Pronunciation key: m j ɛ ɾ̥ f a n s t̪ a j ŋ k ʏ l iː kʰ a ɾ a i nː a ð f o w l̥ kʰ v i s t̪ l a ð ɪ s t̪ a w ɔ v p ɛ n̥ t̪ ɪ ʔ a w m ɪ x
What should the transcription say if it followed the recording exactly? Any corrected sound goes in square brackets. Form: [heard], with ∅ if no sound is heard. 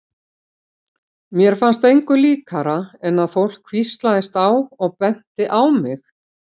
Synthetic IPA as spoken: m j ɛ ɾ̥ f a n s t̪ [e] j ŋ k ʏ l iː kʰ a ɾ a [ɛ] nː a ð f o w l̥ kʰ v i s t̪ l a ð ɪ s t̪ a w ɔ [ɣ] p ɛ n̥ t̪ ɪ ʔ a w m ɪ x